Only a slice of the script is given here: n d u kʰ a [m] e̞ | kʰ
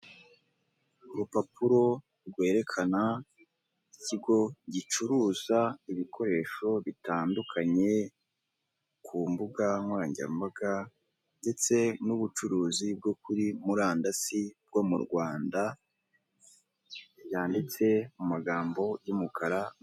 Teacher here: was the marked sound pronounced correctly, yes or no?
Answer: no